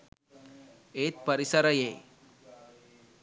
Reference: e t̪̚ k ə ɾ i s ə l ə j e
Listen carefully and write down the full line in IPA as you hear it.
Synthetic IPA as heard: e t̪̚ p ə ɾ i s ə ɾ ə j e